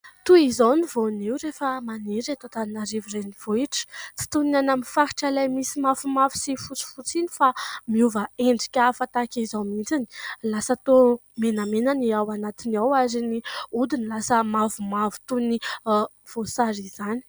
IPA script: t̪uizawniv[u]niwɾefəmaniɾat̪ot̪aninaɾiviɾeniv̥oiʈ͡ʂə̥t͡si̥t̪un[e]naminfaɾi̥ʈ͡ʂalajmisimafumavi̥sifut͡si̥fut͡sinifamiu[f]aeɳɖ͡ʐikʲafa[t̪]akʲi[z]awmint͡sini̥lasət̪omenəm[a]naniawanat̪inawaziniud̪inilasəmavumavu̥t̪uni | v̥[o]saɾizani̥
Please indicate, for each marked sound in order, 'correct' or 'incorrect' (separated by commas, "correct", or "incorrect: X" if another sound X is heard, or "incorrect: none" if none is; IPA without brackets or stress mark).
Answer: incorrect: o, incorrect: a, incorrect: v, correct, correct, incorrect: e, correct